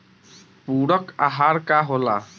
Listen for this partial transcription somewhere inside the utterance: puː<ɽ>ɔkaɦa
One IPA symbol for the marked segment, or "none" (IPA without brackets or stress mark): ɽ